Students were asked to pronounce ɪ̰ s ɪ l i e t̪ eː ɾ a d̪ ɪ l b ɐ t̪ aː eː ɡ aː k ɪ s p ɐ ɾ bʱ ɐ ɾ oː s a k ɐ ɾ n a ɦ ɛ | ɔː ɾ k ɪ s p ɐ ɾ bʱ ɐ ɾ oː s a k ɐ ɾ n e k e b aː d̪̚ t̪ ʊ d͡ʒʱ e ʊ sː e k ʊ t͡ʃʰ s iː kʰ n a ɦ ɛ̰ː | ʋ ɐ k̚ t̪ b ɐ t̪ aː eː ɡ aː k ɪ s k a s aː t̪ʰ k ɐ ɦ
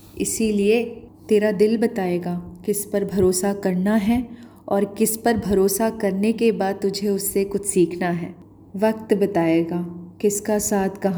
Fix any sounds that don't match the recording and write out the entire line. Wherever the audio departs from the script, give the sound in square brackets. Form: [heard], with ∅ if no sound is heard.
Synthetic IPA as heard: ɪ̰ s [i] l i e t̪ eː ɾ a d̪ ɪ l b ɐ t̪ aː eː ɡ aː k ɪ s p ɐ ɾ bʱ ɐ ɾ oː s a k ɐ ɾ n a ɦ ɛ | ɔː ɾ k ɪ s p ɐ ɾ bʱ ɐ ɾ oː s a k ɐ ɾ n e k e b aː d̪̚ t̪ ʊ d͡ʒʱ e ʊ sː e k ʊ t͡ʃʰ s iː kʰ n a ɦ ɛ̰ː | ʋ ɐ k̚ t̪ b ɐ t̪ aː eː ɡ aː k ɪ s k a s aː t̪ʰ k ɐ ɦ